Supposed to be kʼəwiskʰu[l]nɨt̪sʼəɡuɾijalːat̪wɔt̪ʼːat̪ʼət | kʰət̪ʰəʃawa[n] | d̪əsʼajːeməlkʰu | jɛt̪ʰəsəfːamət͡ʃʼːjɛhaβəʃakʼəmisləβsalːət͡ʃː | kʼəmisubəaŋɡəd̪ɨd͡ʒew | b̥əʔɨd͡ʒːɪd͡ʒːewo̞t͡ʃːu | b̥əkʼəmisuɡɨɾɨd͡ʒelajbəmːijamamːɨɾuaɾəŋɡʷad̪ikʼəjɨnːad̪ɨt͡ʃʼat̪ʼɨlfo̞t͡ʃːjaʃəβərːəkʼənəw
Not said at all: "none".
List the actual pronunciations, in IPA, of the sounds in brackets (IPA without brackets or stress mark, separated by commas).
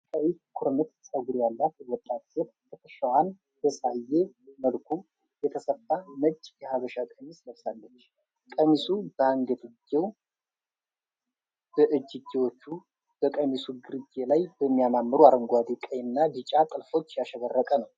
ɾ, n